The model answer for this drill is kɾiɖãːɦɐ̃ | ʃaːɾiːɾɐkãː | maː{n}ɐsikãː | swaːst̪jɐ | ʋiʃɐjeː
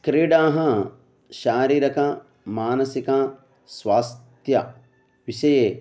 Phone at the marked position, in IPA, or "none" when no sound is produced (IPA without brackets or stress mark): n